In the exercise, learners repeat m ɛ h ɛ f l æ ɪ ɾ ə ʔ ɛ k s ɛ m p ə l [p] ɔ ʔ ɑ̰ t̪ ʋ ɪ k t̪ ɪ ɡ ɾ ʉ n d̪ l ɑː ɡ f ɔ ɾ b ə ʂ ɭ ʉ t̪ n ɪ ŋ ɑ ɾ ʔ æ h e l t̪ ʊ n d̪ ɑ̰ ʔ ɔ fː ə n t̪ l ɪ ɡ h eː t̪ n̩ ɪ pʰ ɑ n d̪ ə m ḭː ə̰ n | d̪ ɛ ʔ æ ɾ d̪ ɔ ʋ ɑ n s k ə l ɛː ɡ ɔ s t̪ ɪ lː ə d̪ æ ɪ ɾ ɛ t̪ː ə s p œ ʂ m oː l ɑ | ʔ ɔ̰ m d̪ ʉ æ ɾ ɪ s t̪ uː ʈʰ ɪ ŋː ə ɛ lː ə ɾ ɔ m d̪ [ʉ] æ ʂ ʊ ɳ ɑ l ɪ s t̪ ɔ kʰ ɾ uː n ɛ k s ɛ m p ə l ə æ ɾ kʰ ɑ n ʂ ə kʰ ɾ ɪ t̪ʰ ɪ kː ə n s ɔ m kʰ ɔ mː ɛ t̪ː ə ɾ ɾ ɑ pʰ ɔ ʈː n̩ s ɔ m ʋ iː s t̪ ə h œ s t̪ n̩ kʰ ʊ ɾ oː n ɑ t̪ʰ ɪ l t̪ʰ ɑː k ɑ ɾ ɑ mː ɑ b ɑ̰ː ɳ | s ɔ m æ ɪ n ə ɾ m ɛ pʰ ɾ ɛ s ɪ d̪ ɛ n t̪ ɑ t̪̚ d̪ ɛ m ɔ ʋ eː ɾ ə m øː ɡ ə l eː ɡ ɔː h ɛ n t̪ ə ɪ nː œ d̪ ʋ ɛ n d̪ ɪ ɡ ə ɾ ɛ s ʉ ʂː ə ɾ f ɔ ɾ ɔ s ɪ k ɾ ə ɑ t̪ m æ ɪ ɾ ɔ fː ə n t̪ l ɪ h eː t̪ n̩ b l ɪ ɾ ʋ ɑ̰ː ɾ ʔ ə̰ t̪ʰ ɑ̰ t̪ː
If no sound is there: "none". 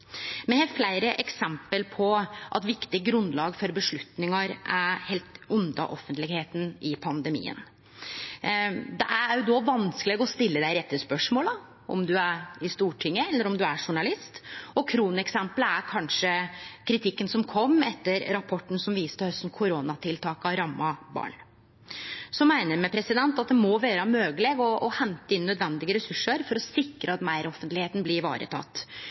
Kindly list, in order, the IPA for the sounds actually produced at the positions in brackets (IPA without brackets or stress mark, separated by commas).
pʰ, ʉ